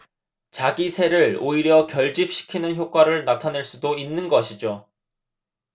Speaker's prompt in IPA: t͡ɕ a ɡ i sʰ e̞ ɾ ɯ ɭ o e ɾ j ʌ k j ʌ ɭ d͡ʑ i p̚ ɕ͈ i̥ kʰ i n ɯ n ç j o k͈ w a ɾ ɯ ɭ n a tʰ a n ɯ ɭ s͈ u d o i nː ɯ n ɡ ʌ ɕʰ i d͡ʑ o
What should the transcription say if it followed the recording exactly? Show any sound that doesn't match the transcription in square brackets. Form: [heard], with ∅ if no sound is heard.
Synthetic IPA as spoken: t͡ɕ a ɡ i sʰ e̞ ɾ ɯ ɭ o [i] ɾ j ʌ k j ʌ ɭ d͡ʑ i p̚ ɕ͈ i̥ kʰ i n ɯ n ç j o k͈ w a ɾ ɯ ɭ n a tʰ a n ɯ ɭ s͈ u d o i nː ɯ n ɡ ʌ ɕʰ i d͡ʑ o